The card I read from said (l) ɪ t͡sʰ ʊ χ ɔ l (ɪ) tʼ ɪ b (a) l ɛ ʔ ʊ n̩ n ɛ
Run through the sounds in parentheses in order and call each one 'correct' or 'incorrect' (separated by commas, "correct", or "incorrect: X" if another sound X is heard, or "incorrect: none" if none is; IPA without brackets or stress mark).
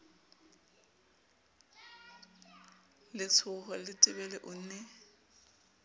correct, correct, incorrect: ɛ